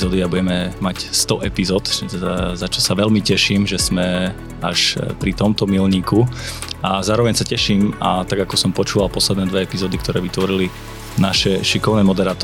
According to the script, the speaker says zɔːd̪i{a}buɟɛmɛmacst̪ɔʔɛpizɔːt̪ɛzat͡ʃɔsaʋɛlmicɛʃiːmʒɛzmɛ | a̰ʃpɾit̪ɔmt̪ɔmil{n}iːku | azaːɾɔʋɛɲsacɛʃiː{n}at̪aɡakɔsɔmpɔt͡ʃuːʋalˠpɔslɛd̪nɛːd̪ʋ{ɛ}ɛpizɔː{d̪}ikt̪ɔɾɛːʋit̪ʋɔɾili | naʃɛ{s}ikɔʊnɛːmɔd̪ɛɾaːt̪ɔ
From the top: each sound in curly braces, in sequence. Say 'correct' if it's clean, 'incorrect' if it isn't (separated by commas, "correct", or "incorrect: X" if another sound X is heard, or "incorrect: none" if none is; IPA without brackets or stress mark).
correct, incorrect: ɲ, incorrect: m, correct, correct, incorrect: ʃ